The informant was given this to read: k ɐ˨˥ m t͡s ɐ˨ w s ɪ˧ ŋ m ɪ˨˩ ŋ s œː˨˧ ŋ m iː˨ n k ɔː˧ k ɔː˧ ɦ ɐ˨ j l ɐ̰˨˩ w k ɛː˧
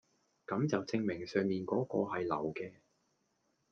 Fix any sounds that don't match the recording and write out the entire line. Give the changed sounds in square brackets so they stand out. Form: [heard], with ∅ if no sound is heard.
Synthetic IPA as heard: k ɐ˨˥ m t͡s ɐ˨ w [t͡s] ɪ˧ ŋ m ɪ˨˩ ŋ s œː˨˧ ŋ m iː˨ n k [ɔː˨˥] k ɔː˧ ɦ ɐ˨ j l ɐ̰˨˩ w k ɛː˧

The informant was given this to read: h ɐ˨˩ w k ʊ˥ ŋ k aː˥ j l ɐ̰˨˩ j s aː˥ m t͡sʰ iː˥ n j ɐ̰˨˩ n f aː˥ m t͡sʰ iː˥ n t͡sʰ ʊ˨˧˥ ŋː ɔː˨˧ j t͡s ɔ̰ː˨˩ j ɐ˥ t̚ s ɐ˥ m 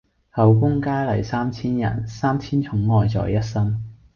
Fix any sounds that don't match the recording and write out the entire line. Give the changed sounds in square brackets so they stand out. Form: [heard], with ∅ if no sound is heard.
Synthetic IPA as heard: h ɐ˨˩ w k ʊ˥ ŋ k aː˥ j l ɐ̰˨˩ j s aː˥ m t͡sʰ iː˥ n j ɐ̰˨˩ n [s] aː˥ m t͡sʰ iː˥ n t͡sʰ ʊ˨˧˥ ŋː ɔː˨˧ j t͡s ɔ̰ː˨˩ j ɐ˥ t̚ s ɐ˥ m

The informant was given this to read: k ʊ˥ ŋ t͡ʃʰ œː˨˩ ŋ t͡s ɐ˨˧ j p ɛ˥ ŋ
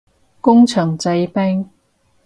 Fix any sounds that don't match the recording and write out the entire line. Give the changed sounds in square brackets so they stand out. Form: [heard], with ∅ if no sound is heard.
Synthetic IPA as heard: k ʊ˥ ŋ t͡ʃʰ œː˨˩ ŋ t͡s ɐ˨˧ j p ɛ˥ ŋ

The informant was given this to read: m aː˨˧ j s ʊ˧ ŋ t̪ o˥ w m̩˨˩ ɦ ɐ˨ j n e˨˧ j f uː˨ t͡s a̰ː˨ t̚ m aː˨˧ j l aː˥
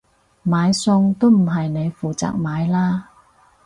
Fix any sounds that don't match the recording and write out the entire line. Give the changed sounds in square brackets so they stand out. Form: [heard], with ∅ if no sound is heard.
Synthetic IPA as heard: m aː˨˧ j s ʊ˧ ŋ t̪ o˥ w m̩˨˩ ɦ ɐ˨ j n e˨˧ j f uː˨ t͡s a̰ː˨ [k̚] m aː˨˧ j l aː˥

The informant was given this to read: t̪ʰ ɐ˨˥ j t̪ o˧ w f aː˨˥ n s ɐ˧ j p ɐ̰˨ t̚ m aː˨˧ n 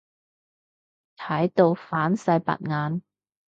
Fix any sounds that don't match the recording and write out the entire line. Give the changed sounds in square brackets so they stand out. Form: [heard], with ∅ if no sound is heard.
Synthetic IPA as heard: t̪ʰ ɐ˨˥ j t̪ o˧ w f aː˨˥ n s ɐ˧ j p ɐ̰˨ t̚ [ŋ] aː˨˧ n

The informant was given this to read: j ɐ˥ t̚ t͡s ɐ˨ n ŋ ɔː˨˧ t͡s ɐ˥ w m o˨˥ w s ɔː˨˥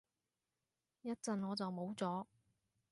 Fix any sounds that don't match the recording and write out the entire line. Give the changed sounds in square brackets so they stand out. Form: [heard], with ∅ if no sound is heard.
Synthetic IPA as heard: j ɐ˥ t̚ t͡s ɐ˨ n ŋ ɔː˨˧ t͡s [ɐ˨] w m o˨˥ w [t͡s] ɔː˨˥

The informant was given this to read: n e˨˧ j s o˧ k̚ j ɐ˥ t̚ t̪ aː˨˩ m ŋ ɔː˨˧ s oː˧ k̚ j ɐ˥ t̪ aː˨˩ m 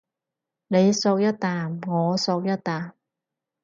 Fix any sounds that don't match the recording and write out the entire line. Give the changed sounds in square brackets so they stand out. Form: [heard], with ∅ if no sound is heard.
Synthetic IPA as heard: n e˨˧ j s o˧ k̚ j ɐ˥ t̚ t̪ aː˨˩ m ŋ ɔː˨˧ s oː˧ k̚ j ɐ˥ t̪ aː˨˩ m

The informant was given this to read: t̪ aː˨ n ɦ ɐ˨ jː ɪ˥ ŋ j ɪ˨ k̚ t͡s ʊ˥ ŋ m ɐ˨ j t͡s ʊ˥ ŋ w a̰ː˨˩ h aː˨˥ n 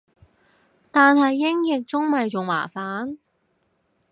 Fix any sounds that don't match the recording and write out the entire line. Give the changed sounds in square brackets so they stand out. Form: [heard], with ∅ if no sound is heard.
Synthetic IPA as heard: t̪ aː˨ n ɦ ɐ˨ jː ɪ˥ ŋ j ɪ˨ k̚ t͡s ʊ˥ ŋ m ɐ˨ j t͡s [ʊ˨] ŋ w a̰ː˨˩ [f] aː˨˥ n

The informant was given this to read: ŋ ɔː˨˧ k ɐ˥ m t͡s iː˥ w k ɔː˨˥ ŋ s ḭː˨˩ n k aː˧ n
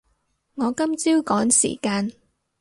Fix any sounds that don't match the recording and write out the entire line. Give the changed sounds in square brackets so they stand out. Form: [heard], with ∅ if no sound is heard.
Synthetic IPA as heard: ŋ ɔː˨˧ k ɐ˥ m t͡s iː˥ w k ɔː˨˥ ŋ s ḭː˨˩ [∅] k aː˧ n

